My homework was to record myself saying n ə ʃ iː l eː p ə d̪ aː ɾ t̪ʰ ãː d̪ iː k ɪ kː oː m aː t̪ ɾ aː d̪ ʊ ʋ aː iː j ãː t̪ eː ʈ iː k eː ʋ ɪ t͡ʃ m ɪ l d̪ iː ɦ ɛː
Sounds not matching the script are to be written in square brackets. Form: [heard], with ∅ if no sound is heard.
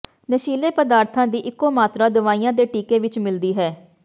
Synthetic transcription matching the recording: n ə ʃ iː l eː p ə d̪ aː ɾ t̪ʰ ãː d̪ iː [ʔ] ɪ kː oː m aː t̪ ɾ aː d̪ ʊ ʋ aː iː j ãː [d̪] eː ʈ iː k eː ʋ ɪ t͡ʃ m ɪ l d̪ iː ɦ ɛː